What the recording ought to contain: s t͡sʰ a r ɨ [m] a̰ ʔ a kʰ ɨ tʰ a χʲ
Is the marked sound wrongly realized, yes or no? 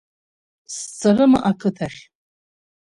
no